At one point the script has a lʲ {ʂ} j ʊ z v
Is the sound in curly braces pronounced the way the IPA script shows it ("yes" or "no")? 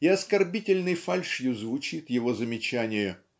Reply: yes